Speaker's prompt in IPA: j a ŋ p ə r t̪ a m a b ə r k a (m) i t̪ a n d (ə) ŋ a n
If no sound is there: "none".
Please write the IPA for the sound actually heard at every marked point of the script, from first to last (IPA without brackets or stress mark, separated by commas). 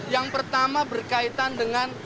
none, ə